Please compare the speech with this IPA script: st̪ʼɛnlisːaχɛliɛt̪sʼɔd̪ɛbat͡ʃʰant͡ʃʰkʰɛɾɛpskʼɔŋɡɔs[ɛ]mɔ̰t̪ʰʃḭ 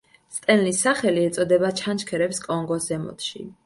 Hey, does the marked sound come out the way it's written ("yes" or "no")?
yes